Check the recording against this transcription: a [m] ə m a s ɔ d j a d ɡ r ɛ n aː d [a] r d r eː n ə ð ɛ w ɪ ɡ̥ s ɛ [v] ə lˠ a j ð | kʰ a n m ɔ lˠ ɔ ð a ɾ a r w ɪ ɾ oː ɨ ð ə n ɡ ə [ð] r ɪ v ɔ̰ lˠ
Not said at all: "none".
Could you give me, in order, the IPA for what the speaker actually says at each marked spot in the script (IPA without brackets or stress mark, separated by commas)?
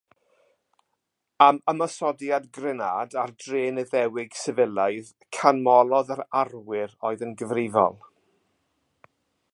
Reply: m, a, v, v